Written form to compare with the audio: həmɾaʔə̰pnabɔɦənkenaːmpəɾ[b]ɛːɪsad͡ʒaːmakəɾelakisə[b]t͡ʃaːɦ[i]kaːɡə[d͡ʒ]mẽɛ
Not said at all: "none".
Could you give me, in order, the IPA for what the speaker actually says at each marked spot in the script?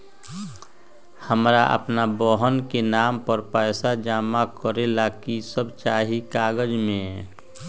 p, b, i, d͡ʒ

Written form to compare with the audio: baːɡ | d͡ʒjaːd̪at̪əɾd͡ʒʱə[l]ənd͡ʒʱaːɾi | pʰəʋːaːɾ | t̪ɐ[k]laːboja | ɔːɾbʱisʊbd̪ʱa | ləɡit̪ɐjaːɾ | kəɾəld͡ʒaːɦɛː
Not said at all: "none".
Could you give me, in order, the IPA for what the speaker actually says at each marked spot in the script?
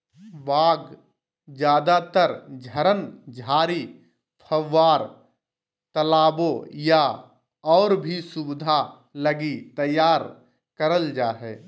ɾ, none

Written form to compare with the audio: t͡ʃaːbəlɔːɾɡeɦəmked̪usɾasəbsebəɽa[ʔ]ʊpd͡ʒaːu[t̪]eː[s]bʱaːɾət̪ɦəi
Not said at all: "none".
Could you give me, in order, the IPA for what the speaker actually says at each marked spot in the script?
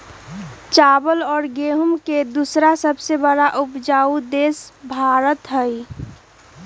ʔ, d̪, s

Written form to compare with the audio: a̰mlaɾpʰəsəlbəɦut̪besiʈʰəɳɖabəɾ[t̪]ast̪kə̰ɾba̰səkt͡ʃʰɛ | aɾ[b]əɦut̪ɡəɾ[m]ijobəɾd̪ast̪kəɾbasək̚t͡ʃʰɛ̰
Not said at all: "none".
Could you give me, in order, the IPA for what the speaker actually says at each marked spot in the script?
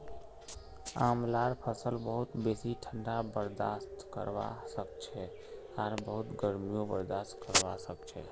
d̪, b, m

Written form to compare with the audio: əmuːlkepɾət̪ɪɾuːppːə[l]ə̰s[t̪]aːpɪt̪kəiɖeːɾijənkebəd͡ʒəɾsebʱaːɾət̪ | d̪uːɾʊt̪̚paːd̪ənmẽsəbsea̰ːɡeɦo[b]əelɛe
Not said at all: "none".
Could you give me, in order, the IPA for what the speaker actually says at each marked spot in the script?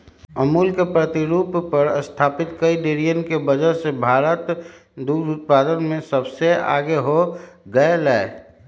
ɾ, t̪ʰ, ɡ

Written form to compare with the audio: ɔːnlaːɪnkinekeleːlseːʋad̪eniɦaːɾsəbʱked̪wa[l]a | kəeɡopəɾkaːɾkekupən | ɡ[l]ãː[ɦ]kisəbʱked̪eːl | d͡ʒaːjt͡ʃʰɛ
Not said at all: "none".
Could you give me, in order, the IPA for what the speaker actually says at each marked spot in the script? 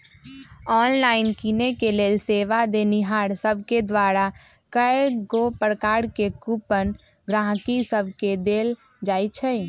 ɾ, ɾ, ɦ

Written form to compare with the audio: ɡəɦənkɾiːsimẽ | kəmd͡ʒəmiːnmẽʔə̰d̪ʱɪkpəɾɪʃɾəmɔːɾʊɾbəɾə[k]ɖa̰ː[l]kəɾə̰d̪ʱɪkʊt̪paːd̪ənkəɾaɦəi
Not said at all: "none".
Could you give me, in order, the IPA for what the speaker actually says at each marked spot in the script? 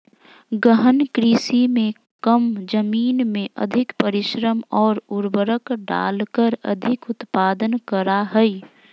k, l

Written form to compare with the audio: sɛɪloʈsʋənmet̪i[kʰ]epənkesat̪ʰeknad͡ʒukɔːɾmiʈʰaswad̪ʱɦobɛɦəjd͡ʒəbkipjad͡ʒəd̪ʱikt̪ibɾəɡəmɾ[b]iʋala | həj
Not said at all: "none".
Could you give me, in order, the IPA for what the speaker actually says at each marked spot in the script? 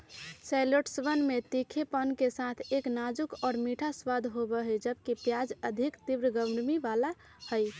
kʰ, m

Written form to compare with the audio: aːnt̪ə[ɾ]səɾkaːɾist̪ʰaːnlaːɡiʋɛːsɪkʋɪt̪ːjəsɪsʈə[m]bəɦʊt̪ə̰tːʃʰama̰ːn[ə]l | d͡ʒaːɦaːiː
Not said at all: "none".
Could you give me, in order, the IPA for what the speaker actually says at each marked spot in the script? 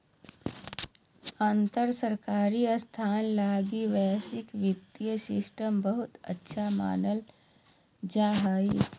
ɾ, m, ə

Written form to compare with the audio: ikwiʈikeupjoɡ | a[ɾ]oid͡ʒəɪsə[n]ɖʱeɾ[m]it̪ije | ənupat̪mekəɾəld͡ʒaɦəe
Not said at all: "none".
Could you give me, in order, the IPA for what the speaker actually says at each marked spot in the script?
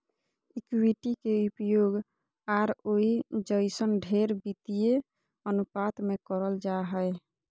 ɾ, n, b

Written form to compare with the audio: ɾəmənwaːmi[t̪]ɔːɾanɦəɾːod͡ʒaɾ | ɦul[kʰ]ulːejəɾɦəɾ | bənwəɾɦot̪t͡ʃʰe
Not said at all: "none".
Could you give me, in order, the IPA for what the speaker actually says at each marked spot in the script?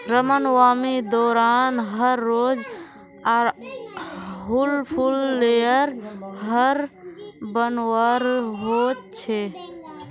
d̪, pʰ

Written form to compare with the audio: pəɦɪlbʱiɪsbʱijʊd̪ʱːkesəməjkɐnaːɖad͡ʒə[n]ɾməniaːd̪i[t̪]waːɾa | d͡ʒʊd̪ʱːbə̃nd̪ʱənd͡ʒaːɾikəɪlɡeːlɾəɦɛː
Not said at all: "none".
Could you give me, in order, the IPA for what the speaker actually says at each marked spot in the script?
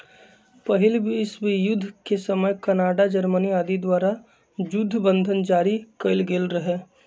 none, d̪

